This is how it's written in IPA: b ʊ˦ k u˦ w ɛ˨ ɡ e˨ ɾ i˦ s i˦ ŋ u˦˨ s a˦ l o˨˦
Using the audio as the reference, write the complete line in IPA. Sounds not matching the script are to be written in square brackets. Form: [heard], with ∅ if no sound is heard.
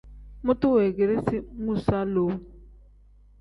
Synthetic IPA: [m] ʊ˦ [t] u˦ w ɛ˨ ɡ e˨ ɾ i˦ s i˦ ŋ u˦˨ s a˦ l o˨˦